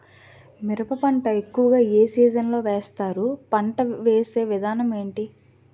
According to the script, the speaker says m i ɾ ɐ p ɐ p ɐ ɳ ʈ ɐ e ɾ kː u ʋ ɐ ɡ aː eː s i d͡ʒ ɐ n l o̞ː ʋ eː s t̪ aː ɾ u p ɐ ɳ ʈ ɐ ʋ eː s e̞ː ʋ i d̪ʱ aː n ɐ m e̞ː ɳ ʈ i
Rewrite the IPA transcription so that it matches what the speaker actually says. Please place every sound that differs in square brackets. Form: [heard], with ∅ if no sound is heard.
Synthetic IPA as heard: m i ɾ ɐ p ɐ p ɐ ɳ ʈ ɐ e [∅] kː u ʋ ɐ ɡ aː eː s [iː] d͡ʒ ɐ n l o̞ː ʋ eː s t̪ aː ɾ u p ɐ ɳ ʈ ɐ ʋ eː s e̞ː ʋ i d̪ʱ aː n ɐ m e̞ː ɳ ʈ i